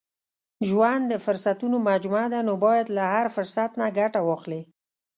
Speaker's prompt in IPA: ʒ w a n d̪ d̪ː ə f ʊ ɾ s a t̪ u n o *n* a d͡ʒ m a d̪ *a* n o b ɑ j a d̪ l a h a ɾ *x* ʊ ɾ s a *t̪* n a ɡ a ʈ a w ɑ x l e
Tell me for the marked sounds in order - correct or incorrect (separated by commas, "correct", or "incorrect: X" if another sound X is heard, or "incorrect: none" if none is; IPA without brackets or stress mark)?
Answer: incorrect: m, correct, incorrect: f, correct